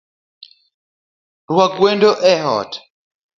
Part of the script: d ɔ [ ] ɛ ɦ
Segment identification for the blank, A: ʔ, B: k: A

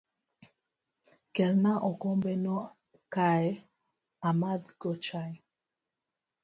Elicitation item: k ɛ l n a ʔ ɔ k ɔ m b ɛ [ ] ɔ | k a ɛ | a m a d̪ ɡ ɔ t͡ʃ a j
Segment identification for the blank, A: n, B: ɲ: A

